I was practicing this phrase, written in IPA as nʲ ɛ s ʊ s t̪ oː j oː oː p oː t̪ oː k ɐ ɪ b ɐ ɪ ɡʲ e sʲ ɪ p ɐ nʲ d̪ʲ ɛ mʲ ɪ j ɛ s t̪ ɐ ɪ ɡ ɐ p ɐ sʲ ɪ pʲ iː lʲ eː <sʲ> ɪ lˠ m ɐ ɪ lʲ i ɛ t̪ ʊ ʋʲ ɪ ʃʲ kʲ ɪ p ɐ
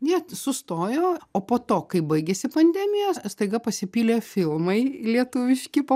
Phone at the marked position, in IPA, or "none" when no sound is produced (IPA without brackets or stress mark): fʲ